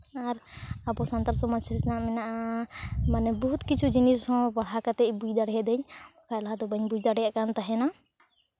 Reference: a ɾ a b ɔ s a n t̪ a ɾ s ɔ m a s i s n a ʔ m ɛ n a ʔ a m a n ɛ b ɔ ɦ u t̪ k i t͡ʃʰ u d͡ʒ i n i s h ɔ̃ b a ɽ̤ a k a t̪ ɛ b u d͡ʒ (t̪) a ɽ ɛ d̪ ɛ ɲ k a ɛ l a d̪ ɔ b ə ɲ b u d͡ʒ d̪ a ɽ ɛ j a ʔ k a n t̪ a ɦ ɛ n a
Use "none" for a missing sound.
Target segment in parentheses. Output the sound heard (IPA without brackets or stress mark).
d̪